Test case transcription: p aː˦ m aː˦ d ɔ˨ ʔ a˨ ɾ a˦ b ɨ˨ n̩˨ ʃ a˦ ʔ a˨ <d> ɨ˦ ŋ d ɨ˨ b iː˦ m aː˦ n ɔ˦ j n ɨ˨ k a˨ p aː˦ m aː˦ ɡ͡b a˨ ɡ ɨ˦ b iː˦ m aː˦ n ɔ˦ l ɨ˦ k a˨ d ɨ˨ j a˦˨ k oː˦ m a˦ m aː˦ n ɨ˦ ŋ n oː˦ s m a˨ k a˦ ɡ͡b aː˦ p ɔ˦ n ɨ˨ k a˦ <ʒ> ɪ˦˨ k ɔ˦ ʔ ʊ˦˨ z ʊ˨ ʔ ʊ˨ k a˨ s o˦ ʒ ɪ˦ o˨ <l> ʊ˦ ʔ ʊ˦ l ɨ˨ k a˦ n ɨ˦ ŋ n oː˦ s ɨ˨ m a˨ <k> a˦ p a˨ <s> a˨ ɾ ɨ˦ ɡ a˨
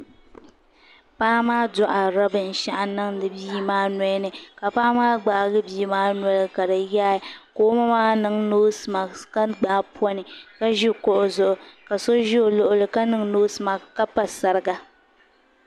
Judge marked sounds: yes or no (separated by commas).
no, yes, yes, yes, yes